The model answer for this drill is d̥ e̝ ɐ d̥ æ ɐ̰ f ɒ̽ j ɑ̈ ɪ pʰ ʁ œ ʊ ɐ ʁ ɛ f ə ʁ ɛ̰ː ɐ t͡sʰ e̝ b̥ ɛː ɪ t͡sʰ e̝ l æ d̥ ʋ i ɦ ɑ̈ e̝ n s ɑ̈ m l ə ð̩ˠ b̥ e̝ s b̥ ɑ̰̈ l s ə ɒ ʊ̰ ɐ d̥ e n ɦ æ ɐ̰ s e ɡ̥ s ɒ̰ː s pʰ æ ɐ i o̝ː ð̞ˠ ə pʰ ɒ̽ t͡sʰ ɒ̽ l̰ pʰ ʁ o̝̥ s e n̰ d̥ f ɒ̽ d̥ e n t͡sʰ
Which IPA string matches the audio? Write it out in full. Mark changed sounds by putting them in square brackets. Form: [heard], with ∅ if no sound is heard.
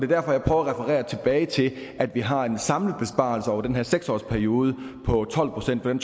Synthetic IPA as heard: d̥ e̝ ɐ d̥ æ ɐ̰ f ɒ̽ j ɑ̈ ɪ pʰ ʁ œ ʊ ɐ ʁ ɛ f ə ʁ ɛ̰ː ɐ t͡sʰ e̝ b̥ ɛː ɪ t͡sʰ e̝ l æ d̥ ʋ i ɦ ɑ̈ e̝ n s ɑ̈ m l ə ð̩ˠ b̥ e̝ s b̥ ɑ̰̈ l s ə ɒ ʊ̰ ɐ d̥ e n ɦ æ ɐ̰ s e ɡ̥ s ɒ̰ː s pʰ æ ɐ i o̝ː ð̞ˠ ə pʰ ɒ̽ t͡sʰ ɒ̽ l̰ pʰ ʁ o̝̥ s e n̰ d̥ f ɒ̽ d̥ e n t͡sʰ